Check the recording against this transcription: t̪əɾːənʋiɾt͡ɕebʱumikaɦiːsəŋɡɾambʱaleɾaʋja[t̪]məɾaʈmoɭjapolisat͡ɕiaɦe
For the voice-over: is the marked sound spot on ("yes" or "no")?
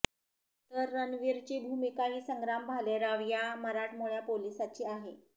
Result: no